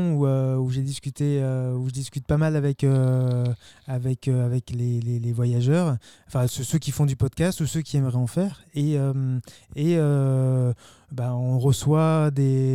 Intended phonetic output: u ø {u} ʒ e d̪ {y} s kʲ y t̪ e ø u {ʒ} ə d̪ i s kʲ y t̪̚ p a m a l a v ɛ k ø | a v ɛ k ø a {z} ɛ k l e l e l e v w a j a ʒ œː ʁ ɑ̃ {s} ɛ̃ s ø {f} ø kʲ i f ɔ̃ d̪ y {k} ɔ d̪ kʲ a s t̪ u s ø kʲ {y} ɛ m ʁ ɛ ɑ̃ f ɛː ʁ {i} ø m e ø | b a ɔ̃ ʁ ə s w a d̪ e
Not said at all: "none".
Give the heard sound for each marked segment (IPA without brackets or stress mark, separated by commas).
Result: u, i, ʒ, v, f, s, p, i, e